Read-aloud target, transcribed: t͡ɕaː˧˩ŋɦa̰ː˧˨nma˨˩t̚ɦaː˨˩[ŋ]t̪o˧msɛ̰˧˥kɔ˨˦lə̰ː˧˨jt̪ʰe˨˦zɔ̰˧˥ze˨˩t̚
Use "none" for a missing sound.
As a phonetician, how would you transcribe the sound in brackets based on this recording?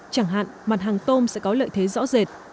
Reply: ŋ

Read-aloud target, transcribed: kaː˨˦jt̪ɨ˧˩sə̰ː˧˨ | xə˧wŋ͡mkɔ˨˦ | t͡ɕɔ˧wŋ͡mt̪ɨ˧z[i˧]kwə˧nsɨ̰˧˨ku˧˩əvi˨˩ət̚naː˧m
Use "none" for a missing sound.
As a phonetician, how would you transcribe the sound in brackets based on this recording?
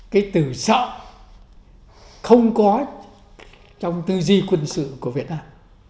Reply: i˧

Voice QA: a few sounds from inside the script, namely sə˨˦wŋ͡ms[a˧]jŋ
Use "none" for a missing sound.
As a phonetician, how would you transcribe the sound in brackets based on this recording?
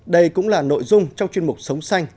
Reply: a˧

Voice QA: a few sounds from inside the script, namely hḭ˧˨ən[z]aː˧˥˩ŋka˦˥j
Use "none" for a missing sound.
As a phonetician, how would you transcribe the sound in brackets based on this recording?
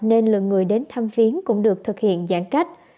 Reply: z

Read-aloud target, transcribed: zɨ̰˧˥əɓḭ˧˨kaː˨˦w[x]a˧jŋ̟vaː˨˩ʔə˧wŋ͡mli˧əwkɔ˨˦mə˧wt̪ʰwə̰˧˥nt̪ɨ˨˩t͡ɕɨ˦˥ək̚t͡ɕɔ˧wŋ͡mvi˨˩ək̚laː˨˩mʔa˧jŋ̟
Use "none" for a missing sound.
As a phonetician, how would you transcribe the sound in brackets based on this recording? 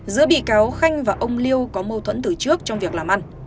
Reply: x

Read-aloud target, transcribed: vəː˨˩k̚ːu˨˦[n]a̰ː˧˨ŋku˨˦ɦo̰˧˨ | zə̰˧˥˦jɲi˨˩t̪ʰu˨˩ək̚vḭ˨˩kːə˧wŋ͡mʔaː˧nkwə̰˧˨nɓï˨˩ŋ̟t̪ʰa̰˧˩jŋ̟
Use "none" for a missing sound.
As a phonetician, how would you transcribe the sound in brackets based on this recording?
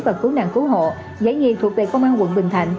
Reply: n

